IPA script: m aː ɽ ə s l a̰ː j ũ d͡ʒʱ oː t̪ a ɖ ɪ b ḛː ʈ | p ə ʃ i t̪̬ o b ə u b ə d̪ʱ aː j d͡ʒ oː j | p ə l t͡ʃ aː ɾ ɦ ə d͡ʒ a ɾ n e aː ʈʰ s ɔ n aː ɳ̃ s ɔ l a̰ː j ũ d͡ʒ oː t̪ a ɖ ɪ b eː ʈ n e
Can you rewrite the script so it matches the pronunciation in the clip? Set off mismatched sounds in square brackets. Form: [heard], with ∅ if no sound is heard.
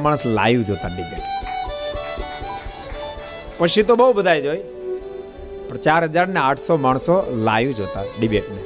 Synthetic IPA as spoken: m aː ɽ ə s l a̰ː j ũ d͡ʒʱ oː t̪ a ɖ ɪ b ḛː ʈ | p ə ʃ i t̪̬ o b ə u b ə d̪ʱ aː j d͡ʒ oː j | p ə [ɾ] t͡ʃ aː ɾ ɦ ə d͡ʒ a ɾ n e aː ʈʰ s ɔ [m] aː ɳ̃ s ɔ l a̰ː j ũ d͡ʒ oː t̪ a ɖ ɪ b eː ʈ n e